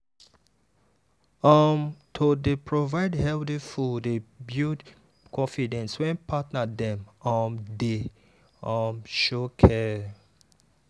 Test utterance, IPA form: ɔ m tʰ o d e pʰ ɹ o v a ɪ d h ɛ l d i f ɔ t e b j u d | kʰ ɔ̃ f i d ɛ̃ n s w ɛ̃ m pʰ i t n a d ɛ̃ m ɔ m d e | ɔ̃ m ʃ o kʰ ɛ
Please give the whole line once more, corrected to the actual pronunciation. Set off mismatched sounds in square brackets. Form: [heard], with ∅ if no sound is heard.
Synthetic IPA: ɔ m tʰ o d e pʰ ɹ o v a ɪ d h ɛ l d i f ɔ [d] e b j u d | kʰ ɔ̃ f i d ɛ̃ n s w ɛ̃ [n] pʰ [a] t n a d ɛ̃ m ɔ m d e | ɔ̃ m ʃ o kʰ ɛ